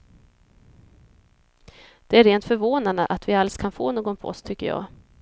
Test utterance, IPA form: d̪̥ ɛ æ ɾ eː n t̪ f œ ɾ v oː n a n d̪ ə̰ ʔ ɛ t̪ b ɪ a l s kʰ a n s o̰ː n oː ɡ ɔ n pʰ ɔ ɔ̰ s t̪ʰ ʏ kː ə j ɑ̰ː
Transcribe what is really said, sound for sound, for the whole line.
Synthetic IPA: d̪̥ ɛ æ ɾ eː n t̪ f œ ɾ v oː n a n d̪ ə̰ ʔ a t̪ v ɪ a l s kʰ a n f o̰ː n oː ɡ ɔ n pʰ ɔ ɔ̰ s t̪ʰ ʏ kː ə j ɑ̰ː